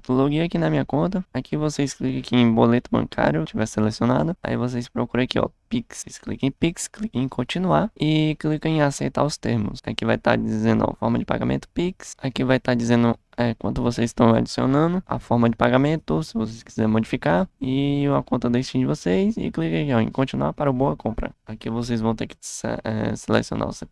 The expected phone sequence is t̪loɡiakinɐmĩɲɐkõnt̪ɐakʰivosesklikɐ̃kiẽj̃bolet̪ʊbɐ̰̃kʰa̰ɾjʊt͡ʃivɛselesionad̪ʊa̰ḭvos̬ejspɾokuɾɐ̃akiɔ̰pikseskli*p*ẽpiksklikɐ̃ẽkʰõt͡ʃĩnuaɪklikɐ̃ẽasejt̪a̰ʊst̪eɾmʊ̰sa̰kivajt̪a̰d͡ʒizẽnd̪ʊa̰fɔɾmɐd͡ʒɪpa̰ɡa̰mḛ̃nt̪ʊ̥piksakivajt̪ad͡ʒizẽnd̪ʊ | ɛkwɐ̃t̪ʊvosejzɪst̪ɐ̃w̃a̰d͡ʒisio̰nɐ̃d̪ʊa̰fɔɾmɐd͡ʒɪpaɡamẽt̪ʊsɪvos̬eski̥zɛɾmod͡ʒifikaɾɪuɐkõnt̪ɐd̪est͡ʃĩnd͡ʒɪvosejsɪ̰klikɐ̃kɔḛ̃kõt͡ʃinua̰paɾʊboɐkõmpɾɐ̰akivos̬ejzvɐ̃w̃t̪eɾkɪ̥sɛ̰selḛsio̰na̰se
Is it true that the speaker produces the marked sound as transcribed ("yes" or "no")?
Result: no